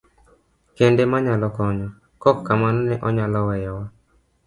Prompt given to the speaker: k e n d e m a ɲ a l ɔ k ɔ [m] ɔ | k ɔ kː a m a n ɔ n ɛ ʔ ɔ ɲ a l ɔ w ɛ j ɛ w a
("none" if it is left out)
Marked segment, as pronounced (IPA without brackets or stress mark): ɲ